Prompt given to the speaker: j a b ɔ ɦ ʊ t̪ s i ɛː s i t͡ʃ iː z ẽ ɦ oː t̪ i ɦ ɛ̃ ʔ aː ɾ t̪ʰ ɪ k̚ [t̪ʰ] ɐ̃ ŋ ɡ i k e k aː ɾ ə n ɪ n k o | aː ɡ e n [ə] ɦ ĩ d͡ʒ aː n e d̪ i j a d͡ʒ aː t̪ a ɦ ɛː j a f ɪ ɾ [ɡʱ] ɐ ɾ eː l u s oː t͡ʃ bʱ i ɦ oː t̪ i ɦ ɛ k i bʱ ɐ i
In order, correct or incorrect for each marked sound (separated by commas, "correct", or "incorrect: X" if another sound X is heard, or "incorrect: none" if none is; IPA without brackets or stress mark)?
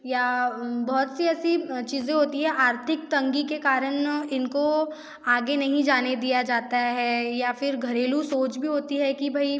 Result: incorrect: t̪, incorrect: ɐ, correct